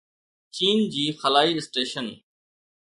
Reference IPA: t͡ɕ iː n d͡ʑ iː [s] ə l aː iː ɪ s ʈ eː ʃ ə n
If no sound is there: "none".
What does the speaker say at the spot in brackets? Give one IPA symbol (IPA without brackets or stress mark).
x